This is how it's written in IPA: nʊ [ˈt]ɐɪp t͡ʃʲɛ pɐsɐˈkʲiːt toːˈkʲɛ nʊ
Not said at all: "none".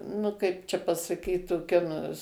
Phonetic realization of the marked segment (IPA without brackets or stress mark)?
k